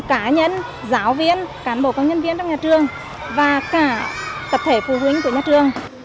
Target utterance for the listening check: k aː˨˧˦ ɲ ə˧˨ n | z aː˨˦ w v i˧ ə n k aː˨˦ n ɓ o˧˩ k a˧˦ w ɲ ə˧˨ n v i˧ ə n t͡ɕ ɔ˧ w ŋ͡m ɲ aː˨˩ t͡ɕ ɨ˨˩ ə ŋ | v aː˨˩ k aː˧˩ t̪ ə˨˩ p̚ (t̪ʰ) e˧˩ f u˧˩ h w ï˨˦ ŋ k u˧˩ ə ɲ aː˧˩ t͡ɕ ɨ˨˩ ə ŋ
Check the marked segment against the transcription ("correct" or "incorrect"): correct